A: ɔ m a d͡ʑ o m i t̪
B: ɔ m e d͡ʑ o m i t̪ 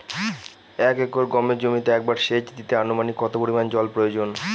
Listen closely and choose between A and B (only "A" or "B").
B